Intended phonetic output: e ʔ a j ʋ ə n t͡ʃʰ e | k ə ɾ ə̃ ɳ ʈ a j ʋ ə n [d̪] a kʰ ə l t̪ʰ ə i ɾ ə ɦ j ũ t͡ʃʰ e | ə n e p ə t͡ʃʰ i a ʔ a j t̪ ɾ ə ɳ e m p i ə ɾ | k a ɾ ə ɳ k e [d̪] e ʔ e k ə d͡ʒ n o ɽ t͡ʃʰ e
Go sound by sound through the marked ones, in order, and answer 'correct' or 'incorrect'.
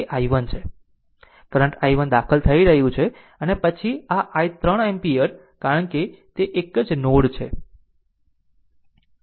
correct, incorrect: t̪

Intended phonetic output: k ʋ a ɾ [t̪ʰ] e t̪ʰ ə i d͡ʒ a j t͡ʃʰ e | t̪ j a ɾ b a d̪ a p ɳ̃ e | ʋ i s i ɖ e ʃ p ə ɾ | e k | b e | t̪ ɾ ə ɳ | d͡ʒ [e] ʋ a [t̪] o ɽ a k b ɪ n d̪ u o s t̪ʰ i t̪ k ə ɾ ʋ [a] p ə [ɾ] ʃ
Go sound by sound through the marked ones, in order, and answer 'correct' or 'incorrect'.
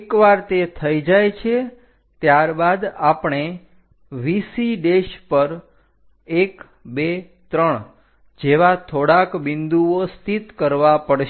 incorrect: t̪, correct, incorrect: t̪ʰ, correct, incorrect: ɽ

